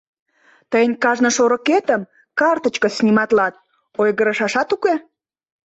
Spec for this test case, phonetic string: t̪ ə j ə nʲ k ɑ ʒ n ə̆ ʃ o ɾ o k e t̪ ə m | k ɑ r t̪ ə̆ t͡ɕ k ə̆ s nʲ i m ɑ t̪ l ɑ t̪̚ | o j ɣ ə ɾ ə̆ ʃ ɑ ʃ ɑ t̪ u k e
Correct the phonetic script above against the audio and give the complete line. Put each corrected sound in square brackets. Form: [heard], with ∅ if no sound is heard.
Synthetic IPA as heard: t̪ ə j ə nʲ k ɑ ʒ n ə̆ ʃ o ɾ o k e t̪ ə m | k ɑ r t̪ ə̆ t͡ɕ k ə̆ s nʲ i m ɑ t̪ l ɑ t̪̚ | o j ɣ ə ɾ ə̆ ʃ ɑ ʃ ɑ t̪ u k e